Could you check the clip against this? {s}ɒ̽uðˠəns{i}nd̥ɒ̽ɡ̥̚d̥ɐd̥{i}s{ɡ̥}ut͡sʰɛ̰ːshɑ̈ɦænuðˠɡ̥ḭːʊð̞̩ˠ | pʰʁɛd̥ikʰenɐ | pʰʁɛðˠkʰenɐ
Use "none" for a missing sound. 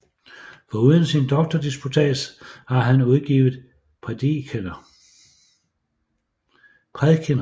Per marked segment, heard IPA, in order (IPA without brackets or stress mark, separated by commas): f, i, i, b̥